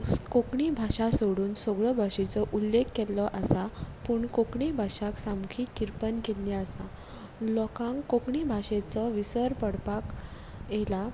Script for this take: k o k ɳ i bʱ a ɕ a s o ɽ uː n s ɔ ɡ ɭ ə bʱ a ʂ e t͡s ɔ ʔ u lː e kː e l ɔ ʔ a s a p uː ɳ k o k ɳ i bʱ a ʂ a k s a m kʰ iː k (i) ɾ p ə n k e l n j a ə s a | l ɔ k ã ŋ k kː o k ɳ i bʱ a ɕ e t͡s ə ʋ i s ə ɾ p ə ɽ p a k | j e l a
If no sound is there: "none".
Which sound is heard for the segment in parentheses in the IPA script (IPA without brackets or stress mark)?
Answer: i